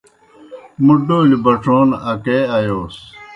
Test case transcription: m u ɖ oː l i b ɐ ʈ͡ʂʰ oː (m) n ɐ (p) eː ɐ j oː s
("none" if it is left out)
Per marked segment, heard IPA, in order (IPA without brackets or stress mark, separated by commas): none, k